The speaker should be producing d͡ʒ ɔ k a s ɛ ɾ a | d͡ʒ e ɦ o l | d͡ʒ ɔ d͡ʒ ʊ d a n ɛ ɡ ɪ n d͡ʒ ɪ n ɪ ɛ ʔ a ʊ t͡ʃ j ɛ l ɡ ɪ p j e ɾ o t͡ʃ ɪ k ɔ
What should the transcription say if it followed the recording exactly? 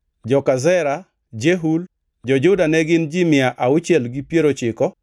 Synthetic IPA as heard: d͡ʒ ɔ k a z ɛ ɾ a | d͡ʒ e ɦ u l | d͡ʒ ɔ d͡ʒ ʊ d a n ɛ ɡ ɪ n d͡ʒ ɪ m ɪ a ʔ a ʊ t͡ʃ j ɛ l ɡ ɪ p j e ɾ o t͡ʃ ɪ k ɔ